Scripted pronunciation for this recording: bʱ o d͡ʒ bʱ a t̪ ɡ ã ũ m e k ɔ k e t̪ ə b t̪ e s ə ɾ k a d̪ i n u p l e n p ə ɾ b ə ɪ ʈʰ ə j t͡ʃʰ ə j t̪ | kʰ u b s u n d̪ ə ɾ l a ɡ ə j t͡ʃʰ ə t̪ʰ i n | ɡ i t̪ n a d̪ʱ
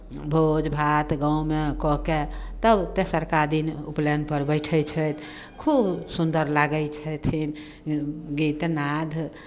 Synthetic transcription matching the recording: bʱ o d͡ʒ bʱ a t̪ ɡ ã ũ m e k ɔ k e t̪ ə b t̪ e s ə ɾ k a d̪ i n u p l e n p ə ɾ b ə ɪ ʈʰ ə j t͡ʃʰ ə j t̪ | kʰ u b s u n d̪ ə ɾ l a ɡ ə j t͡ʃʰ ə t̪ʰ i n | ɡ i t̪ n a d̪ʱ